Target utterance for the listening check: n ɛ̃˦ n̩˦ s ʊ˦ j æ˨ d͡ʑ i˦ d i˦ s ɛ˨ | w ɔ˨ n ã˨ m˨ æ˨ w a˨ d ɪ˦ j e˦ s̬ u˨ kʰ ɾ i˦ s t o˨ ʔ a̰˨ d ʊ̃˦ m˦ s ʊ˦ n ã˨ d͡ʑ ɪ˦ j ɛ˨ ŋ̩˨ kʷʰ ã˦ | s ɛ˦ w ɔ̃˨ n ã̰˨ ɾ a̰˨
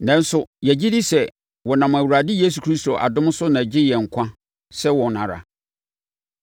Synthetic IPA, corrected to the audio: n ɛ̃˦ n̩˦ s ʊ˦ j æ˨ d͡ʑ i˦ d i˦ s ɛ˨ | w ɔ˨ n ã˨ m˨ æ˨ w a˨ d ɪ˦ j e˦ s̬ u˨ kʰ ɾ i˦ s t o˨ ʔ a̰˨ d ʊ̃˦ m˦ s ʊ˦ n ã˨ d͡ʑ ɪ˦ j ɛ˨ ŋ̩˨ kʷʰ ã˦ | s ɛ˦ w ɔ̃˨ n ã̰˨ ɾ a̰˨